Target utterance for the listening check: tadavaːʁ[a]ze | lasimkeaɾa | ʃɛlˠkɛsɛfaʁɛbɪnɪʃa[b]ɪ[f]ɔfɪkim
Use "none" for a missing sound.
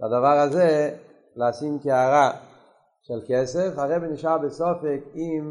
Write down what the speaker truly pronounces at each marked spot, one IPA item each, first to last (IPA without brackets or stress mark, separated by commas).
a, b, s